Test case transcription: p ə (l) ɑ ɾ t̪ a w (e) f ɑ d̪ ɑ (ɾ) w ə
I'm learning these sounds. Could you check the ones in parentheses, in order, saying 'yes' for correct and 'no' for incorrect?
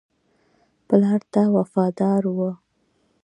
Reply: yes, no, yes

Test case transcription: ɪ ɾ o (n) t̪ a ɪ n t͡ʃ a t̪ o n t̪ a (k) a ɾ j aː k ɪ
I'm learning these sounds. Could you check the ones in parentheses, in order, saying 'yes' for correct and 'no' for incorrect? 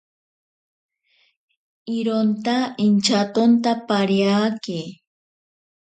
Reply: yes, no

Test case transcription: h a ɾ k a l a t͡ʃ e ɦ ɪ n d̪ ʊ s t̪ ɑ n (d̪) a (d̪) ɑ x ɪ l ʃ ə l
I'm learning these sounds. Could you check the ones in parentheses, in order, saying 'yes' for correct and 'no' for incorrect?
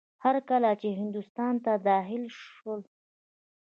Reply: no, yes

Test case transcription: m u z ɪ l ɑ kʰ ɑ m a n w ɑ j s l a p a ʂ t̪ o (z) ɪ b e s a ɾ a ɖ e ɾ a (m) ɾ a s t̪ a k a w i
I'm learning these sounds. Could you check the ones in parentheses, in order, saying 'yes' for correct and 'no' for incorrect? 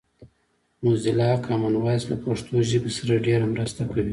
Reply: no, yes

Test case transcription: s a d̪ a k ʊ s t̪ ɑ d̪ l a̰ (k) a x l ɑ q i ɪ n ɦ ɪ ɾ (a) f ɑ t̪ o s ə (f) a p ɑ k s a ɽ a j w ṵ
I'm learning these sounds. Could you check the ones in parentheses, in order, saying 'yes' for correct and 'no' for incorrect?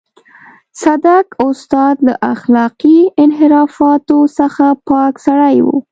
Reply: no, no, no

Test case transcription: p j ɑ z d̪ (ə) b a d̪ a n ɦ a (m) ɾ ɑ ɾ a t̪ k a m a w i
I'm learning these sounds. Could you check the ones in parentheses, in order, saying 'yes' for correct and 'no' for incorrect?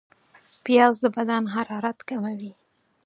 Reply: yes, no

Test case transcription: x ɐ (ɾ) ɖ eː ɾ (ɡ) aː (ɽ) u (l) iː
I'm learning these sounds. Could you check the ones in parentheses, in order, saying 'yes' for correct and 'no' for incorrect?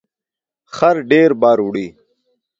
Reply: yes, no, no, no

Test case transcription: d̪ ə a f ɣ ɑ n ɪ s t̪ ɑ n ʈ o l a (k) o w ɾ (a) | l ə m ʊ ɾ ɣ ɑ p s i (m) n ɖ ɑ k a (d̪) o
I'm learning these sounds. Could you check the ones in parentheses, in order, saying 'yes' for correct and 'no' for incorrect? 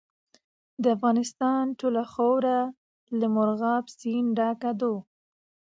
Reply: no, yes, no, yes

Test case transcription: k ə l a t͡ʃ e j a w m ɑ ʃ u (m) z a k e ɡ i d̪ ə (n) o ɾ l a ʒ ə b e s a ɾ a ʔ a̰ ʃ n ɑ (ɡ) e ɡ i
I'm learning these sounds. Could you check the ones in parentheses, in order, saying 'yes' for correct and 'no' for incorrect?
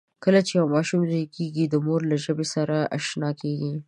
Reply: yes, no, no

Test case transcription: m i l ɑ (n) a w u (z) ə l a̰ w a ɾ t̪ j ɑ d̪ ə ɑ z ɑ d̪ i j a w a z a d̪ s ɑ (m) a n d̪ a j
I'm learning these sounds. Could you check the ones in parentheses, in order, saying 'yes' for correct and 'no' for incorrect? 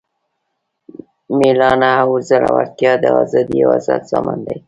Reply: yes, yes, yes

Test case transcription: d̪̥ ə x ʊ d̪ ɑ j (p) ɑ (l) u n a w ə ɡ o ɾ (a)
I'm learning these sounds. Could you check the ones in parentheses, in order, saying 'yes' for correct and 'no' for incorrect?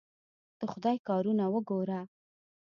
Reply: no, no, yes

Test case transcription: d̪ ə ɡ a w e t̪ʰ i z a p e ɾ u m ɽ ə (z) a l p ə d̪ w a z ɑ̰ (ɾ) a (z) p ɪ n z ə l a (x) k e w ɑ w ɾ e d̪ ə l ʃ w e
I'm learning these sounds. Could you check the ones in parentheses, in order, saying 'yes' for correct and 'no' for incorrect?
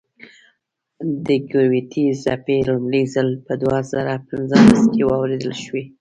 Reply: yes, yes, no, no

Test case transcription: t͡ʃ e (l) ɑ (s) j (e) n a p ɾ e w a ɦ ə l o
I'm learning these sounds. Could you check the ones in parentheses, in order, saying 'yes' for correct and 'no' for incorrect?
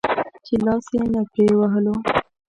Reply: yes, yes, yes

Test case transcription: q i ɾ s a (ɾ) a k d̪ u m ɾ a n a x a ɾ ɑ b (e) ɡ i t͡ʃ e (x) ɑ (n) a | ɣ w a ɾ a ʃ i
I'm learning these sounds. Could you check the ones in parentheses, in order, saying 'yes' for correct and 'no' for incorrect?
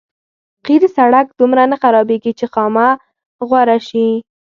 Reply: no, yes, yes, no

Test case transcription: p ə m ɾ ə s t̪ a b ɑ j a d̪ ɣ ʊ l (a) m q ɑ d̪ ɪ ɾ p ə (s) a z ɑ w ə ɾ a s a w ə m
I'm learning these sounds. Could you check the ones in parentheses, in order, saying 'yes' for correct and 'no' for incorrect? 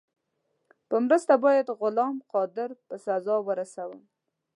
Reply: no, yes

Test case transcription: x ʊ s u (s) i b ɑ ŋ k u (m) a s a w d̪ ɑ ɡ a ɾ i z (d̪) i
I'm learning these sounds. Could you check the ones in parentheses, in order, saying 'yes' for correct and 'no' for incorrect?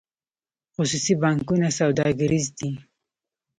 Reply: yes, no, yes

